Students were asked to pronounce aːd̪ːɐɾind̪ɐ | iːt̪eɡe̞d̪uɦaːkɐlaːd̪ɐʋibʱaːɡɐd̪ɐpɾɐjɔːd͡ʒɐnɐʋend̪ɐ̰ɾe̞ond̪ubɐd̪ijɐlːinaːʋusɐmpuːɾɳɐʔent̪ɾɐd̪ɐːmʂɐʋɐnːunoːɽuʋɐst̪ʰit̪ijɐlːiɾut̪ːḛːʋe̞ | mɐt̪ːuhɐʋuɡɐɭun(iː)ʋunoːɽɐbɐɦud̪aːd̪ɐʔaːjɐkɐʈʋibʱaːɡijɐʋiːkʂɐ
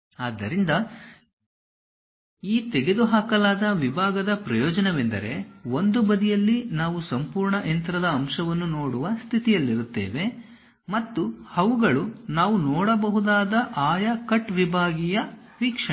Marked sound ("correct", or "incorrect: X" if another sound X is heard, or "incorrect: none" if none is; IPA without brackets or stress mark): incorrect: aː